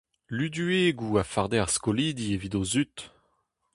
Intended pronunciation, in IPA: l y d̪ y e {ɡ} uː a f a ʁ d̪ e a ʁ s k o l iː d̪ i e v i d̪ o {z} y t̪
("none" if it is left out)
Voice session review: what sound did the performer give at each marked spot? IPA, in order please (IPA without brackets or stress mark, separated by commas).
ɡ, z